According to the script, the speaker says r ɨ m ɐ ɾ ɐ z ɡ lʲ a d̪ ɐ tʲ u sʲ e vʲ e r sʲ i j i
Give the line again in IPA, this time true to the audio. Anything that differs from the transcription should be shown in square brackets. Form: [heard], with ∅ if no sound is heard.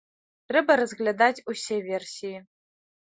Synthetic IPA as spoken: r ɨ [b] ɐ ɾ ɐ z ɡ lʲ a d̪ [a] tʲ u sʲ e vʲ e r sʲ i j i